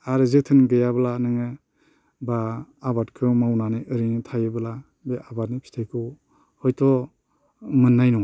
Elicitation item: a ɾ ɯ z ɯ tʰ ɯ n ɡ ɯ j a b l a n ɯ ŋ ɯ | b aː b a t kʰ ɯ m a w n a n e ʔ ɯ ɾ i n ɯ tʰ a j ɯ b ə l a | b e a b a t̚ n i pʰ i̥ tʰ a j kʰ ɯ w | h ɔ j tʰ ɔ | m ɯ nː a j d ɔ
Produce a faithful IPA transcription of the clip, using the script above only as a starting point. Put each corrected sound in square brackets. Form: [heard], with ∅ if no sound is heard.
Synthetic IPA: a ɾ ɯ z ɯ tʰ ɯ n ɡ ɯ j a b l a n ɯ ŋ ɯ | b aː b a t kʰ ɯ m a w n a n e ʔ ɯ ɾ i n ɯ tʰ a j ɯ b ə l a | b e a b a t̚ n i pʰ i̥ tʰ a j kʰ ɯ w | h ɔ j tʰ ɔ | m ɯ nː a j [n] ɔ